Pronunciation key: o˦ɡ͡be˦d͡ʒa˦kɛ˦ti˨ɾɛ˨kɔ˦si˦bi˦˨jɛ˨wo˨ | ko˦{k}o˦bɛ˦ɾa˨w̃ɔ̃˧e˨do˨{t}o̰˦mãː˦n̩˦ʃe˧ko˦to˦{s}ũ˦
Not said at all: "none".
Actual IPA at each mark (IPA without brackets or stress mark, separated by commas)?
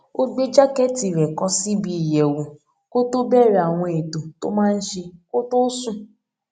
t, t, s